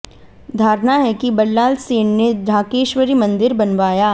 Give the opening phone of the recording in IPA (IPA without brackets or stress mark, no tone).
d̪ʱ